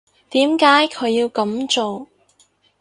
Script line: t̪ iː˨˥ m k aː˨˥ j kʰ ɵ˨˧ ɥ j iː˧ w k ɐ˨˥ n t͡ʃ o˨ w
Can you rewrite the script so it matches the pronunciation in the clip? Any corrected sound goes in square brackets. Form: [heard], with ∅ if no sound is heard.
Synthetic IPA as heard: t̪ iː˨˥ m k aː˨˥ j kʰ ɵ˨˧ ɥ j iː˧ w k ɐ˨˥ [m] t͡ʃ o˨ w